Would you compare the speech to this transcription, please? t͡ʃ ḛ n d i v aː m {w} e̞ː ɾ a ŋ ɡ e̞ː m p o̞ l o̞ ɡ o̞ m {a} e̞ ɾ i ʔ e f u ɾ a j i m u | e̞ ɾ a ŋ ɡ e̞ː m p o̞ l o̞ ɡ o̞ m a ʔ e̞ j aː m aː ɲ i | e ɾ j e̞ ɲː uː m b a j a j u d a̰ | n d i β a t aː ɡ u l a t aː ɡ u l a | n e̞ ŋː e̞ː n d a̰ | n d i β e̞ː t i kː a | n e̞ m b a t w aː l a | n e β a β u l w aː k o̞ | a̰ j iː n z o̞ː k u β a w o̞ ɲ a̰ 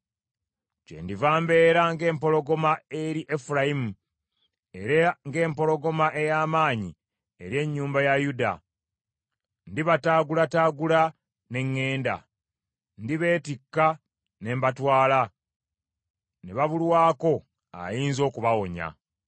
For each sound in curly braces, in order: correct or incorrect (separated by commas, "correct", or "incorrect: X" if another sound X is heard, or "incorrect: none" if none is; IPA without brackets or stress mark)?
incorrect: b, correct